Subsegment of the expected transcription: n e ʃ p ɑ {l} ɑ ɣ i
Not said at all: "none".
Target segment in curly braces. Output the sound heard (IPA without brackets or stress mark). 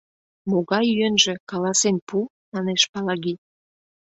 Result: l